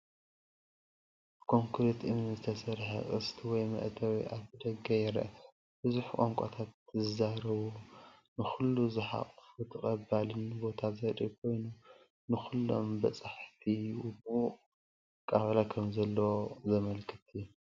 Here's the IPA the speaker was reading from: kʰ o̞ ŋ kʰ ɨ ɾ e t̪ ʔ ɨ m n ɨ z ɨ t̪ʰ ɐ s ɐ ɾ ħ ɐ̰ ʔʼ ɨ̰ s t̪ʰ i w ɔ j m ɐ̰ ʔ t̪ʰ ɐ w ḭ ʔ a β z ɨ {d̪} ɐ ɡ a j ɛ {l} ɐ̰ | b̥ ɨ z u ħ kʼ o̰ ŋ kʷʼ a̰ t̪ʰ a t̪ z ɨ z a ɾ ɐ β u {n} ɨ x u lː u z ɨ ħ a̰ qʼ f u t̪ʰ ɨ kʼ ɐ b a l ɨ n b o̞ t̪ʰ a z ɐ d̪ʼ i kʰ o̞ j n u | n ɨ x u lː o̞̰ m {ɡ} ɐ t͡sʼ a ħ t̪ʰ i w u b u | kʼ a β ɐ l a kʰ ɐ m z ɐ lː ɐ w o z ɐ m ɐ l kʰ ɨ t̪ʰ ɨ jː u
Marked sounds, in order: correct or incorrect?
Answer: correct, incorrect, correct, incorrect

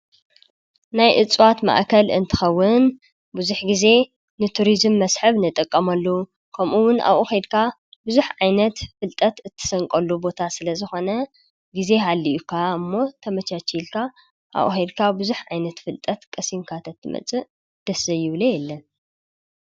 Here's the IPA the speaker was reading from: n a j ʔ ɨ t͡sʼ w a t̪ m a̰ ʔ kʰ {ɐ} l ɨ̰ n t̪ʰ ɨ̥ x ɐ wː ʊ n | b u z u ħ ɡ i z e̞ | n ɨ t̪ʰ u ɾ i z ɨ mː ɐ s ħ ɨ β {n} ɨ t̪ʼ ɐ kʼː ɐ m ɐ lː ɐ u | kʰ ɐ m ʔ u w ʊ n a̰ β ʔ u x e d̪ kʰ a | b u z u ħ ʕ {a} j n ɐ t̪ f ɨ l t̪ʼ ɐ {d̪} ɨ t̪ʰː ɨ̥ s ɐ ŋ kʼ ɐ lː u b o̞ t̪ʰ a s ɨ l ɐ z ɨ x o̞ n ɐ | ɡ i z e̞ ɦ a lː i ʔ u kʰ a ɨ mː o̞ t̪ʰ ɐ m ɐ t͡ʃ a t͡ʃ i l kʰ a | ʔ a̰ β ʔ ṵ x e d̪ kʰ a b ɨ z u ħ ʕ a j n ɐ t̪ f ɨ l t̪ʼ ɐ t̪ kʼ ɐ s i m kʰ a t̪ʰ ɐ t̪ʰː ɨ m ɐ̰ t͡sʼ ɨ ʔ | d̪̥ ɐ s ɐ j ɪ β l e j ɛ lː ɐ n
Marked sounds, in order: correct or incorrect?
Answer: correct, correct, correct, incorrect

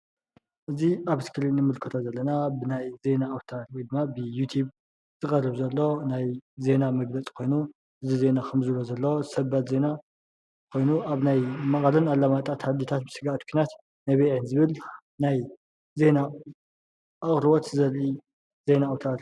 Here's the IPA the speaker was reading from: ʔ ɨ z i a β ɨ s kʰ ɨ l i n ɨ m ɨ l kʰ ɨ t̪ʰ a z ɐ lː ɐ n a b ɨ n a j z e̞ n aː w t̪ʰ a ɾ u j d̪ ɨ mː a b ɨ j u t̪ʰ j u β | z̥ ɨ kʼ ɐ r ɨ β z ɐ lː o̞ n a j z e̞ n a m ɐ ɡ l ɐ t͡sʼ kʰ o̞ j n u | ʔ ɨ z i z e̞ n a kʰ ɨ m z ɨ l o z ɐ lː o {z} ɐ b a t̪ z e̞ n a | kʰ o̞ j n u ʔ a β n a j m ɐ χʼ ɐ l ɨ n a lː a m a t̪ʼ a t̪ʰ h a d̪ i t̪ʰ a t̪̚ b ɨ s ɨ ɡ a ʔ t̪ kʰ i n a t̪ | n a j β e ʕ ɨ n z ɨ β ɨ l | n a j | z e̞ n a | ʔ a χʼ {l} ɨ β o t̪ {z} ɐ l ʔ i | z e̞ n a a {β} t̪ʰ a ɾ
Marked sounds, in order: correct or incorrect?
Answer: incorrect, incorrect, correct, incorrect

